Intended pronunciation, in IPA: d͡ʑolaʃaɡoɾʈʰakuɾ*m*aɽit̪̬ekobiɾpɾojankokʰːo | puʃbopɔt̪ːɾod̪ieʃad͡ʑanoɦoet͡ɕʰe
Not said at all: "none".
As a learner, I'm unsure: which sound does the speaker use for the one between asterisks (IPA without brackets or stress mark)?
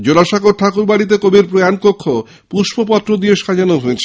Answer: b